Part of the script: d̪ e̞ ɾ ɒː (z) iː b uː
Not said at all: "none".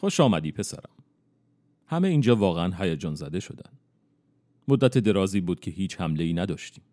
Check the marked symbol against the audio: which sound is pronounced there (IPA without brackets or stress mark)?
z